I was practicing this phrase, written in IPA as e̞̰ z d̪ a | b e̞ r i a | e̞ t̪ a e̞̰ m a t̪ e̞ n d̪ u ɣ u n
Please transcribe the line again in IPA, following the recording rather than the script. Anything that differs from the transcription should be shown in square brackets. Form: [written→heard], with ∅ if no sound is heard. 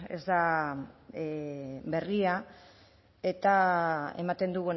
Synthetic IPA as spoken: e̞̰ z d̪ a | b e̞ r i a | e̞ t̪ a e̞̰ m a t̪ e̞ n d̪ u ɣ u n